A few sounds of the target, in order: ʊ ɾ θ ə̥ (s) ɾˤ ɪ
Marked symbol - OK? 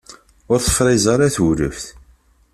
no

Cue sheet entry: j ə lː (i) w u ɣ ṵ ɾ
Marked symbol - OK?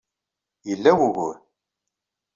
no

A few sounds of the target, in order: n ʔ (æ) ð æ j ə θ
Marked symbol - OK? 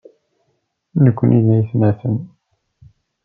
no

